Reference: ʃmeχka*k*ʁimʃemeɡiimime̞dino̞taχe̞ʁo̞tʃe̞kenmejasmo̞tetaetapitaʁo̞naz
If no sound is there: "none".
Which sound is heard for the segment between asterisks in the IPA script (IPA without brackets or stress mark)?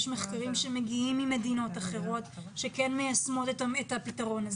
none